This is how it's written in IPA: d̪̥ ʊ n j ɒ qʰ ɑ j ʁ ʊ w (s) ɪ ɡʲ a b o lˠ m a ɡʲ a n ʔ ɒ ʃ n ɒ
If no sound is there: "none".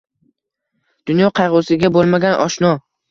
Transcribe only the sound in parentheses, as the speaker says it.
s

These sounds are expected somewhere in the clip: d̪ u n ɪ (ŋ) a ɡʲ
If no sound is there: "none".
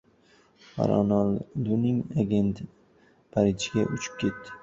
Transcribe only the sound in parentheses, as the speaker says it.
ŋ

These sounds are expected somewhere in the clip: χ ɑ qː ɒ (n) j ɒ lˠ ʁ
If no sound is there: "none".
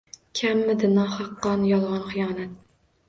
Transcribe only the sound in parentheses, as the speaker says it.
n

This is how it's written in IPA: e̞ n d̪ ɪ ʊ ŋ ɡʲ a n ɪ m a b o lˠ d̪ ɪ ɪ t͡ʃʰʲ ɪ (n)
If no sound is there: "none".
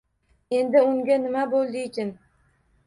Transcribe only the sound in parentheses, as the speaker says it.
n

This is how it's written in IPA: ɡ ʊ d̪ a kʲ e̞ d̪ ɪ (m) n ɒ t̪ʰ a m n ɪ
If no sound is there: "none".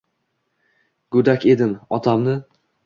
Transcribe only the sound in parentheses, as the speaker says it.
none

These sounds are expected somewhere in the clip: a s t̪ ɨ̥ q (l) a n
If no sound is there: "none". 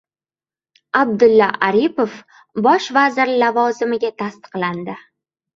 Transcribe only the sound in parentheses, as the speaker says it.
l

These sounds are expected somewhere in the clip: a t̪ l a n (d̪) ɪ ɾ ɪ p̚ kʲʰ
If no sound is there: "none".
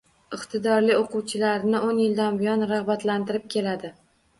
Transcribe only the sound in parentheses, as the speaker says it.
t̪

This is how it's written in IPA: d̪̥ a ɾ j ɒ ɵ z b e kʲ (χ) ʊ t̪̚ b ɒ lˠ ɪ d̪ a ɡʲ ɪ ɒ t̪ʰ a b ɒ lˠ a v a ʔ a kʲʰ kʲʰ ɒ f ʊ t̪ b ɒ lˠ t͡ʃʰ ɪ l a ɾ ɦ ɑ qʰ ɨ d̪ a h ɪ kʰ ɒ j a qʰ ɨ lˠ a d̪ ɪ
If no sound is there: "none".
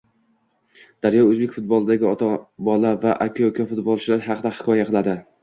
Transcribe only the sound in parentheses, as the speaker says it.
f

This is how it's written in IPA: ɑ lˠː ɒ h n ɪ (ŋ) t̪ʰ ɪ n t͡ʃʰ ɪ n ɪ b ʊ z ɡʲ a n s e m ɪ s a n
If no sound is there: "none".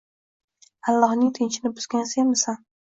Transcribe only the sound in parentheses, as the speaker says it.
ŋ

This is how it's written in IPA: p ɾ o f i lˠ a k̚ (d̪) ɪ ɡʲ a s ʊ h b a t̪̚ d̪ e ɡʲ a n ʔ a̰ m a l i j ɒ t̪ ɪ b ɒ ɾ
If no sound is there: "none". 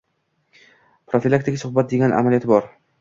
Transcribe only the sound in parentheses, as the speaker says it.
t̪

